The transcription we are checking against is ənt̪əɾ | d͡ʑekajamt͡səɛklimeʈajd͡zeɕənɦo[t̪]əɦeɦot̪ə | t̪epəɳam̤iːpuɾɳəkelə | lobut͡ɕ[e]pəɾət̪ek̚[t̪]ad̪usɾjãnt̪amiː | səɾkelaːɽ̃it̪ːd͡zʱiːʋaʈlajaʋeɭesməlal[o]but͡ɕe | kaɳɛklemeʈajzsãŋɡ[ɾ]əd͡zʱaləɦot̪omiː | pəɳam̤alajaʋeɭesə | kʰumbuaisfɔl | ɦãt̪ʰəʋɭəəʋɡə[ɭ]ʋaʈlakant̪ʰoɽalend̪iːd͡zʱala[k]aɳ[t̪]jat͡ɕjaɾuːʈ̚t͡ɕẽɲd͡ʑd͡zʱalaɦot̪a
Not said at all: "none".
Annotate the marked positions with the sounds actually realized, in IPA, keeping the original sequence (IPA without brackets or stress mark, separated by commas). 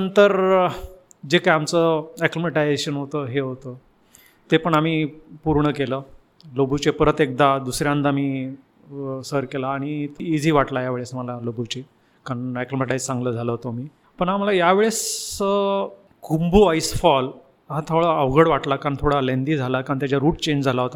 t̪, e, d̪, o, l, ɽ, k, t̪